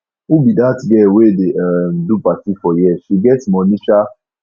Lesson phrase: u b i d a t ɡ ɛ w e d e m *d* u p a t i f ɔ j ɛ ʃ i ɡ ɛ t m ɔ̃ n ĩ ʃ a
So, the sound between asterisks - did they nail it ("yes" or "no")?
yes